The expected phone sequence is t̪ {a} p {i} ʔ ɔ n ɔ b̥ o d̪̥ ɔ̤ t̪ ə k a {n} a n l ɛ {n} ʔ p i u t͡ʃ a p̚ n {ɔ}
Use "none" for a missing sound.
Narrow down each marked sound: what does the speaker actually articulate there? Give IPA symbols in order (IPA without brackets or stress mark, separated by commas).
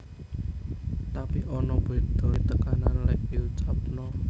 a, i, n, none, ɔ